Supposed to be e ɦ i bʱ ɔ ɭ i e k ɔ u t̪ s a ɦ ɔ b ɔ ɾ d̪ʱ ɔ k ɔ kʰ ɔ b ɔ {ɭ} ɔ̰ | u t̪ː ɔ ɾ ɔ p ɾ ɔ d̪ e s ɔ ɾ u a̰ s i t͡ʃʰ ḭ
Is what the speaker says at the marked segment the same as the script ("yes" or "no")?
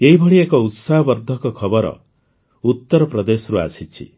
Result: no